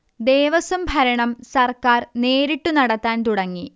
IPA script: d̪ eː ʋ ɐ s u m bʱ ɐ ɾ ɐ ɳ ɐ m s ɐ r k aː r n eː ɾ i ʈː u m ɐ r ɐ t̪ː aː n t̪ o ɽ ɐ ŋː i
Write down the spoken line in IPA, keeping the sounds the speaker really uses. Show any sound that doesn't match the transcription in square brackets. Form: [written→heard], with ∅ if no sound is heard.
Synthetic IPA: d̪ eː ʋ ɐ s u m bʱ ɐ ɾ ɐ ɳ ɐ m s ɐ r k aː r n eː ɾ i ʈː u [m→n] ɐ [r→ɽ] ɐ t̪ː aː n t̪ [o→u] ɽ ɐ ŋː i